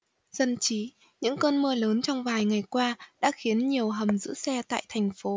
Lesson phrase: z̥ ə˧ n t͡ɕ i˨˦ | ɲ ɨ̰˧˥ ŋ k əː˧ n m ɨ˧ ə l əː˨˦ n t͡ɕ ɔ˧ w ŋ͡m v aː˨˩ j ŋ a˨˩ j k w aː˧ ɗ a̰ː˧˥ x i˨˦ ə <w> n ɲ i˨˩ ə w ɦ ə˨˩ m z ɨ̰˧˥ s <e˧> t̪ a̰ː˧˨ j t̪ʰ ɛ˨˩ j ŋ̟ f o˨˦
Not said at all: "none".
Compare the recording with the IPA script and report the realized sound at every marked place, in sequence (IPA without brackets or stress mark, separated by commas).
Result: none, ɛ˧